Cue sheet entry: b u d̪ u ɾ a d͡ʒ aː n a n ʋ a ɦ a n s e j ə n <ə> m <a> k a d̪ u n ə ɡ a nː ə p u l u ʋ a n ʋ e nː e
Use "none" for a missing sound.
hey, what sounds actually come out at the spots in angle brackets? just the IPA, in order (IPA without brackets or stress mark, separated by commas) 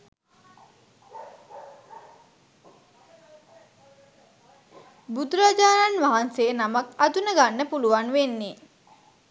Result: a, a